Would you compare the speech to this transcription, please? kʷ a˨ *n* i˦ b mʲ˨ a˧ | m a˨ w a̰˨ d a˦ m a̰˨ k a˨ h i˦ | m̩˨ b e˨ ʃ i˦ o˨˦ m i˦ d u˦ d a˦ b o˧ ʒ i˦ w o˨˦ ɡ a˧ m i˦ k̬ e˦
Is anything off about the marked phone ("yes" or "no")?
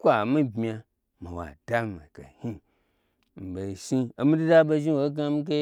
yes